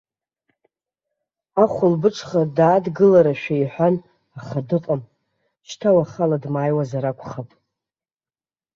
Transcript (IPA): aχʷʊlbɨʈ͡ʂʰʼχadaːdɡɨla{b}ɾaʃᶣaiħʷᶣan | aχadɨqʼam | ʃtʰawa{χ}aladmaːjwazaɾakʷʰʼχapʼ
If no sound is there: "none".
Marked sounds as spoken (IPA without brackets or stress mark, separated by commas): none, χ